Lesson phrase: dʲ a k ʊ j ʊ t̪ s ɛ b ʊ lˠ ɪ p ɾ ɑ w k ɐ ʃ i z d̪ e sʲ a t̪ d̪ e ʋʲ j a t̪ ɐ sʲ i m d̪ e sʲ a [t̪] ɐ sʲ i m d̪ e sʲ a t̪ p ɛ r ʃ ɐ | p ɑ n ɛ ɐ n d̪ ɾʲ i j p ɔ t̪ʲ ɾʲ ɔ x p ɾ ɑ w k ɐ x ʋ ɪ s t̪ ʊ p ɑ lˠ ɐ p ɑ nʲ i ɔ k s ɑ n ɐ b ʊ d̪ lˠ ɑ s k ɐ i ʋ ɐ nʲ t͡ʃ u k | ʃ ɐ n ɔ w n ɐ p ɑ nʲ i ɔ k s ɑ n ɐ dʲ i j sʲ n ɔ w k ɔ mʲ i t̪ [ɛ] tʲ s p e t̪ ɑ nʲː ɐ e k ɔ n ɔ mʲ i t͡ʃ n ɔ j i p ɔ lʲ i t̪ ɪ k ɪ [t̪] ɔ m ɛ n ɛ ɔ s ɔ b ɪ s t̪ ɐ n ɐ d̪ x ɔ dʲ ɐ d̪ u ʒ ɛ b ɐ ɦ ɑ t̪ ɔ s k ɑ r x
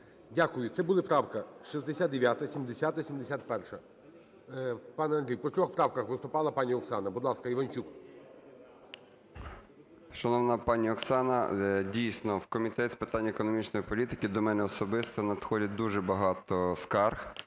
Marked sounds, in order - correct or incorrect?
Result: correct, correct, incorrect: d̪

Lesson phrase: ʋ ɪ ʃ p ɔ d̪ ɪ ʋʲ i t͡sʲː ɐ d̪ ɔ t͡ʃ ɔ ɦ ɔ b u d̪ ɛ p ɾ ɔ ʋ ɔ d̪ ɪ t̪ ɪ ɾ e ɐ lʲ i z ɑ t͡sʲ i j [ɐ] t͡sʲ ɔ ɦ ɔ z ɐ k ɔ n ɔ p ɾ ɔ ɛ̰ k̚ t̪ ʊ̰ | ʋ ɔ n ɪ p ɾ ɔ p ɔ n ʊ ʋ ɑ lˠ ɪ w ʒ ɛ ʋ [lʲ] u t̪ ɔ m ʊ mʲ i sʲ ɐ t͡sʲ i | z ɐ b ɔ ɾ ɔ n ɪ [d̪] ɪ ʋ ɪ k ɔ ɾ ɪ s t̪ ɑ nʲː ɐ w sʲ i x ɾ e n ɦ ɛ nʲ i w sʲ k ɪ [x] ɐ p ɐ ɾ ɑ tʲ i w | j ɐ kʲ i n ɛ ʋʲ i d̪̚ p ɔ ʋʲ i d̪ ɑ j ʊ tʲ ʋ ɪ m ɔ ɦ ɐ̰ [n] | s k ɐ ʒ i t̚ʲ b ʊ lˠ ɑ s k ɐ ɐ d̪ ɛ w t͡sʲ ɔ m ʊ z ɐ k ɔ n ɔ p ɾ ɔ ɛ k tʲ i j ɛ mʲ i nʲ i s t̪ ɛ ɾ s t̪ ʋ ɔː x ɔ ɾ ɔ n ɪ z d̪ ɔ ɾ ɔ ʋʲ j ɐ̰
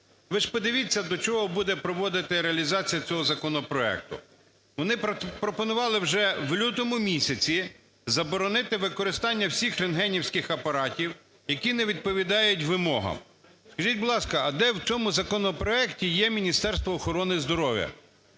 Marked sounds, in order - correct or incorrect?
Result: correct, correct, incorrect: t̪, correct, incorrect: m

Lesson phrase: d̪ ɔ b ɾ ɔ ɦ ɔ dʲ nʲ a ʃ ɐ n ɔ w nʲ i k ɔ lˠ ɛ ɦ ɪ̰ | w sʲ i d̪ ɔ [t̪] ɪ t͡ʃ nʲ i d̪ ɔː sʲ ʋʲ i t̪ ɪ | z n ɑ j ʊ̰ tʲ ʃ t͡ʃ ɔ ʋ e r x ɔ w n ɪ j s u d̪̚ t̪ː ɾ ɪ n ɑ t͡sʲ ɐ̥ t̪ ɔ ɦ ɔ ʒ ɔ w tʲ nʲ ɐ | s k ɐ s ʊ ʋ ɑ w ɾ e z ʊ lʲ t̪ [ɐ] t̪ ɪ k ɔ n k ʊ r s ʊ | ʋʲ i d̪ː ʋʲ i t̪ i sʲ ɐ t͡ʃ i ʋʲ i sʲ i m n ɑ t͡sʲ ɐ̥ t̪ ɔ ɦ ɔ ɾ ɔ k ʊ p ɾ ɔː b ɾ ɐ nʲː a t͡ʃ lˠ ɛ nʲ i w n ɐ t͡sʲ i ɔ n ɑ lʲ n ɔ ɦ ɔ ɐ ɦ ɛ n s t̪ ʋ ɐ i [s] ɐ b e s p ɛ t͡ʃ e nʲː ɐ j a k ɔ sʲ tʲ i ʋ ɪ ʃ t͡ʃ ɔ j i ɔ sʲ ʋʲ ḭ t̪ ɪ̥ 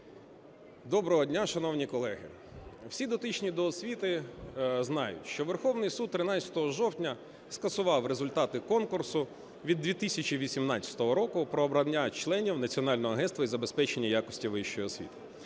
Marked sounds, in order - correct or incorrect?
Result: correct, incorrect: ɑ, incorrect: z

